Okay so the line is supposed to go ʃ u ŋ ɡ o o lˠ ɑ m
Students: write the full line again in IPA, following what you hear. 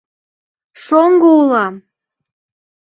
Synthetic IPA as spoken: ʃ o ŋ ɡ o u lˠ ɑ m